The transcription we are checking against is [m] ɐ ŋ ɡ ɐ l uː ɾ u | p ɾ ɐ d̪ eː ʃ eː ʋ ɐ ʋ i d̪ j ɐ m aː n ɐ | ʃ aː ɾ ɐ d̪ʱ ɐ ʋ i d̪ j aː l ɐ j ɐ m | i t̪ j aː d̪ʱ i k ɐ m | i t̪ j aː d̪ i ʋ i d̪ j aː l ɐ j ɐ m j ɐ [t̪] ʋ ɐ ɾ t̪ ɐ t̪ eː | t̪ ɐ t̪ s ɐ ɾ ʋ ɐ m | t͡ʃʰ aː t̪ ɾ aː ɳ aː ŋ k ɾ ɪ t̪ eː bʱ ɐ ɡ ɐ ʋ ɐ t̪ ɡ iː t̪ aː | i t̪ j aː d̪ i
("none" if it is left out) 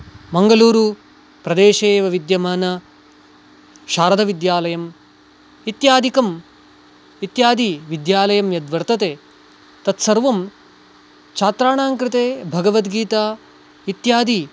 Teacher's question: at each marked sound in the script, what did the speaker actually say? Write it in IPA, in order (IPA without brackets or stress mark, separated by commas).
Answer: m, d̪